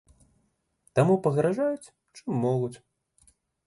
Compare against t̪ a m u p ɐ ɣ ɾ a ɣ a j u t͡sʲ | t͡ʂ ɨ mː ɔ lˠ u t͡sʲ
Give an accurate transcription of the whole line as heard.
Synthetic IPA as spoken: t̪ a m u p ɐ ɣ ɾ a ʐ a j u t͡sʲ | t͡ʂ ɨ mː ɔ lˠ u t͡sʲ